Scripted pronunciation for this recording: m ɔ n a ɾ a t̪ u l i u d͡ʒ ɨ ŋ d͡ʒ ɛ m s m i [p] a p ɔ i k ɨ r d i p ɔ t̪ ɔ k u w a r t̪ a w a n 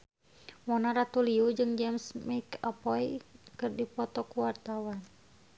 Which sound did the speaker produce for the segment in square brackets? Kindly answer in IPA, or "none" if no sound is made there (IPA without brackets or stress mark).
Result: k